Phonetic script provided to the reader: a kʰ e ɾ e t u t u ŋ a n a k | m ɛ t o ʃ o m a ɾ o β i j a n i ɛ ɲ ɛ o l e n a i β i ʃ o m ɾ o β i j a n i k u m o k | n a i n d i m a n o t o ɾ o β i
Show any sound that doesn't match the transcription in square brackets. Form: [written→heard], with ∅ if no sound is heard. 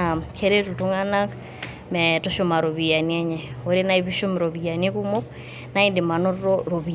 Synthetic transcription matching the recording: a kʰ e ɾ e t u t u ŋ a n a k | m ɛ t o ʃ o m a ɾ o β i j a n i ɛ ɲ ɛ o [l→ɾ] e n a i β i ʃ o m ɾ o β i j a n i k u m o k | n a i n d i m a n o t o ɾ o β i